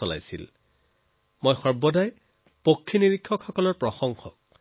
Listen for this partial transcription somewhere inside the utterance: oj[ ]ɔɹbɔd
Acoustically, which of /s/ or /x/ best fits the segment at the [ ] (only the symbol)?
x